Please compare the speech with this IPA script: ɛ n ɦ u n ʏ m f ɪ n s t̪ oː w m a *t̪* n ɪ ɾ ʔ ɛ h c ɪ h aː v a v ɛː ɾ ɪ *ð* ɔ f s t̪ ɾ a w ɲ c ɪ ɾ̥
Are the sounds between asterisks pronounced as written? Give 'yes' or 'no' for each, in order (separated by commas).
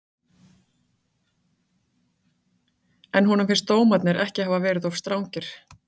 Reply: yes, yes